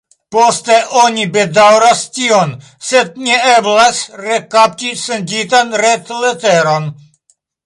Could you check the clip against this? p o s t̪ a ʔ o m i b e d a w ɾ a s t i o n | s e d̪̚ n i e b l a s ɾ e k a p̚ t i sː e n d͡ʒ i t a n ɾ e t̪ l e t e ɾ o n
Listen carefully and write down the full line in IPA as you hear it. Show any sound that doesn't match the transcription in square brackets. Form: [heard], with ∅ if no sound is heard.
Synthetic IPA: p o s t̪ [e] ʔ o [n] i b e d a w ɾ a s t i o n | s e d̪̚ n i e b l a s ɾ e k a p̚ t i [s] e n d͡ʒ i t a n ɾ e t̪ l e t e ɾ o n